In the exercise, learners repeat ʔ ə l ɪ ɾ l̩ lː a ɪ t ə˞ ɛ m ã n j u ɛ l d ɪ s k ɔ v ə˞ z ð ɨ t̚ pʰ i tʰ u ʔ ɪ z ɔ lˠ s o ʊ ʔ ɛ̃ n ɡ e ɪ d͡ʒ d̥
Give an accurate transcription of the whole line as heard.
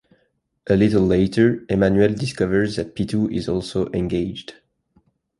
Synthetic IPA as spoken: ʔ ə l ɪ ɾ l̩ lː e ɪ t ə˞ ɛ m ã n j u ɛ l d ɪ s k ʌ v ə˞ z ð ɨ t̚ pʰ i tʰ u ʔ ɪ z ɔ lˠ s o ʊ ʔ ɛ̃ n ɡ e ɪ d͡ʒ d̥